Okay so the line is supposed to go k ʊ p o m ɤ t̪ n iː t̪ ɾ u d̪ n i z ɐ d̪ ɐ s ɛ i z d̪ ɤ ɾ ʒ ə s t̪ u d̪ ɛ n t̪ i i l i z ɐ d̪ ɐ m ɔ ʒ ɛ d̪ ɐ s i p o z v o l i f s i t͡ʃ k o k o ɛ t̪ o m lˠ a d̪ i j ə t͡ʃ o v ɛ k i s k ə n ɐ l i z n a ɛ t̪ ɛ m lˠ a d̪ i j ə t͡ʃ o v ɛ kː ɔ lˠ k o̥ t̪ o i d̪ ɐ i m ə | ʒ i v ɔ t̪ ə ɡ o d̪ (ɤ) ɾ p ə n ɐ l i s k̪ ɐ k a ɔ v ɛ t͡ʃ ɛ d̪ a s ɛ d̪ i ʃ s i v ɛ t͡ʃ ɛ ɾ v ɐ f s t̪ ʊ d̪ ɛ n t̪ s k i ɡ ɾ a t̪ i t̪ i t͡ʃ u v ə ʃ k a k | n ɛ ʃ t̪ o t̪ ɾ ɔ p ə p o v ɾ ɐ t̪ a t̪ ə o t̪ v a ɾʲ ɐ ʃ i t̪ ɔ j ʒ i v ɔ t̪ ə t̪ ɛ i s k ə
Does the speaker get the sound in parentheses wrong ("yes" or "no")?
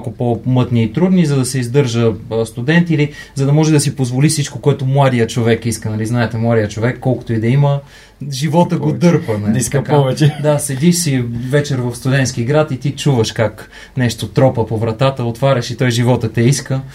no